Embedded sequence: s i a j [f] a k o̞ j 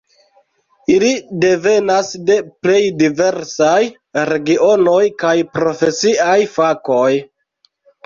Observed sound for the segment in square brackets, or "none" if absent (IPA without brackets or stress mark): f